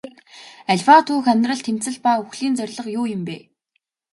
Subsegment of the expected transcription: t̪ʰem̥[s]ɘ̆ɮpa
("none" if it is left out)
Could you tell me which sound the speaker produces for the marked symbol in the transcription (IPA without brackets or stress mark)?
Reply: t͡s